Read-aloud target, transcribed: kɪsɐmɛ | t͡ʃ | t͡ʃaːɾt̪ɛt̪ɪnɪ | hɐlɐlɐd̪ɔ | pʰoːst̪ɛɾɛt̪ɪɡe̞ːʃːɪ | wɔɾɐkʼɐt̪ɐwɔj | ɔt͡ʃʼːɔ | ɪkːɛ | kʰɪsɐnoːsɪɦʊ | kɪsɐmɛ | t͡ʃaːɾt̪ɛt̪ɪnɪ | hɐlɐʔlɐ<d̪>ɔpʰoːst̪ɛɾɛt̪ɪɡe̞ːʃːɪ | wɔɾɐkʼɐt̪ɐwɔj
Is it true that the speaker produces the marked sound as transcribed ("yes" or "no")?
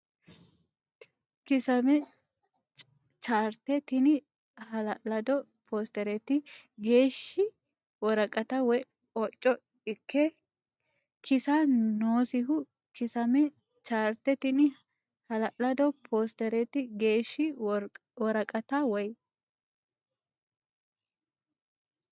yes